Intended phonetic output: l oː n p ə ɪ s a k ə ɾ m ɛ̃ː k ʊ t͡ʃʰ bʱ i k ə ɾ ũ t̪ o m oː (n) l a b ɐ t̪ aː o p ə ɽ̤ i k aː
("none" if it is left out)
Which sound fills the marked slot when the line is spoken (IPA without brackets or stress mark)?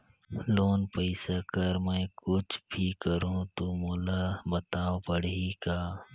none